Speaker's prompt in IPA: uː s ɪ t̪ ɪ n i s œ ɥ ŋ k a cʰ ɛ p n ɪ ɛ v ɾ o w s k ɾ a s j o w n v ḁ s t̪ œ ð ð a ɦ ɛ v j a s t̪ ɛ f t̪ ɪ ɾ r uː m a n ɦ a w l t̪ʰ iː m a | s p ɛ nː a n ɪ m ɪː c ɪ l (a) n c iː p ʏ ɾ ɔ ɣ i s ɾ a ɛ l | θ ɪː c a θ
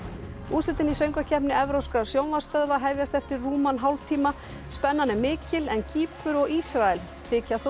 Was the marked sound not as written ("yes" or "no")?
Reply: yes